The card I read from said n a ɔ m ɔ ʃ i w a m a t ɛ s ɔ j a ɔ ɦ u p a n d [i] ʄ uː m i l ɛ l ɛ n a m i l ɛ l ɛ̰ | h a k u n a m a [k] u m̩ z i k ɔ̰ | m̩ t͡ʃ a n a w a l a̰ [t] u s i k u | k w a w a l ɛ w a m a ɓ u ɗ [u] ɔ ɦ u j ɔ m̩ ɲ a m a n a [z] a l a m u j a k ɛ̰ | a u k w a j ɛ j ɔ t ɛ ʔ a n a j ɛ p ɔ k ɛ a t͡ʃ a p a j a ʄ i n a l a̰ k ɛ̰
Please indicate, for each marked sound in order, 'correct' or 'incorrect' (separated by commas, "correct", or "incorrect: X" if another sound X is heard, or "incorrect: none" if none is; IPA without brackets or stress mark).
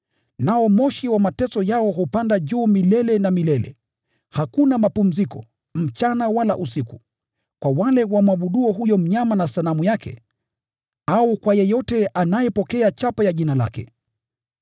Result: incorrect: a, incorrect: p, incorrect: ʔ, correct, incorrect: s